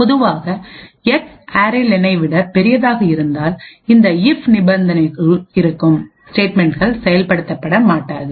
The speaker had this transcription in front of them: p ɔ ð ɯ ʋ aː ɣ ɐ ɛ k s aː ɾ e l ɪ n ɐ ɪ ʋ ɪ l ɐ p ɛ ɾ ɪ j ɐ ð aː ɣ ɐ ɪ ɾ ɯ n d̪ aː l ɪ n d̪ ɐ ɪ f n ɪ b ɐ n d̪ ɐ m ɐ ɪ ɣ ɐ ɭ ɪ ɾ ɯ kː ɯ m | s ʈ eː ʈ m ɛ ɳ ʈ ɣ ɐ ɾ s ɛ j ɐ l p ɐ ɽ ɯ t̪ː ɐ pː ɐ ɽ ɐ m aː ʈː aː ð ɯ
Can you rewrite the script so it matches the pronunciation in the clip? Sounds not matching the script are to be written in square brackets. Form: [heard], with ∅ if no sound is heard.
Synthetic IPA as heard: p ɔ ð ɯ ʋ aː ɣ ɐ ɛ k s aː ɾ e l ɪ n ɐ ɪ ʋ ɪ [ɽ] ɐ p ɛ ɾ ɪ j ɐ ð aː ɣ ɐ ɪ ɾ ɯ n d̪ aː l ɪ n d̪ ɐ ɪ f n ɪ b ɐ n d̪ ɐ [n] ɐ ɪ ɣ ɐ ɭ ɪ ɾ ɯ kː ɯ m | s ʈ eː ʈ m ɛ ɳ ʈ ɣ ɐ [ɭ] s ɛ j ɐ l p ɐ ɽ ɯ t̪ː ɐ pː ɐ ɽ ɐ m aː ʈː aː ð ɯ